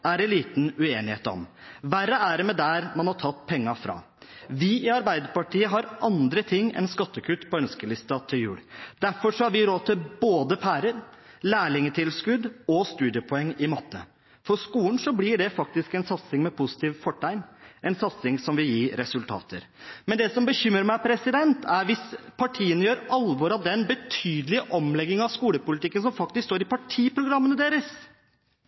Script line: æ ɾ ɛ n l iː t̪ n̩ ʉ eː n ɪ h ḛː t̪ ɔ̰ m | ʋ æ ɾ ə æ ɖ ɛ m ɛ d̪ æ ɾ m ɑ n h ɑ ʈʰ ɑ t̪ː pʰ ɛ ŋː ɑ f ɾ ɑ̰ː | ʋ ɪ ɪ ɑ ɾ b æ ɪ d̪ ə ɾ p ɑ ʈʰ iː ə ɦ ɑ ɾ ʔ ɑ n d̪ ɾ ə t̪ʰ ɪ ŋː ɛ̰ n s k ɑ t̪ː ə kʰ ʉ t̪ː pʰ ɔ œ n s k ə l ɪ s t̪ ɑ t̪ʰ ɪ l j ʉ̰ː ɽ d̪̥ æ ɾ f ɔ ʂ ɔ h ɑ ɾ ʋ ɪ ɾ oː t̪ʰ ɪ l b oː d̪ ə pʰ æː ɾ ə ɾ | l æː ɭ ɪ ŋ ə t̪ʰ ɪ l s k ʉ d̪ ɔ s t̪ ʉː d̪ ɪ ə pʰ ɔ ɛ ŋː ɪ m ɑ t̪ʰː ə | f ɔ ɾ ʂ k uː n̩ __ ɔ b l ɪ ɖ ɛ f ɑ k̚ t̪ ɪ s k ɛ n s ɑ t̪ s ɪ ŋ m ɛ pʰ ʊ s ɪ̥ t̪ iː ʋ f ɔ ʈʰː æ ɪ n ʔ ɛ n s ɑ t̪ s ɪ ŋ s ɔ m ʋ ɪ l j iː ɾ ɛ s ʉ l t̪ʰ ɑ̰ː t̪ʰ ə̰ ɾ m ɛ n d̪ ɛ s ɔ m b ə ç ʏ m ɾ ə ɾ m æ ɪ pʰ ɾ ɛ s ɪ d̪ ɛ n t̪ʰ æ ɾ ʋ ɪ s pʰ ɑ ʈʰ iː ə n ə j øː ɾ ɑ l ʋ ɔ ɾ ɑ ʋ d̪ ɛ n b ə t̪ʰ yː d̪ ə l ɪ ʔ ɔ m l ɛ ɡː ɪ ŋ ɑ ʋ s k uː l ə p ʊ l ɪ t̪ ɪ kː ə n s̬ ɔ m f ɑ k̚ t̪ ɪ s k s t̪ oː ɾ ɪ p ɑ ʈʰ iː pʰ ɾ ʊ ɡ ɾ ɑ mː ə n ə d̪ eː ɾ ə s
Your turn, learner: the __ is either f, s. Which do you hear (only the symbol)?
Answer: s